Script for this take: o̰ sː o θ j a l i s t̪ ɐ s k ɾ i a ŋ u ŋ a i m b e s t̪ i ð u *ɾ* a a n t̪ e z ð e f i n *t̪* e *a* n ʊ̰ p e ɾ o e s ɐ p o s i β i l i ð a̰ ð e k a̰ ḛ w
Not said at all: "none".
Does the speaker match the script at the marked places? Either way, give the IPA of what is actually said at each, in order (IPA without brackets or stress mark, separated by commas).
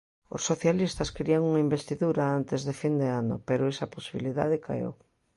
ɾ, d̪, a